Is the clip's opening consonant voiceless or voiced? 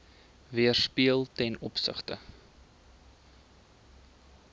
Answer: voiced